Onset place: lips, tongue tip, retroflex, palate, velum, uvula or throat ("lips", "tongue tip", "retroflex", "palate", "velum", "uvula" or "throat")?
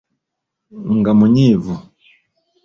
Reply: velum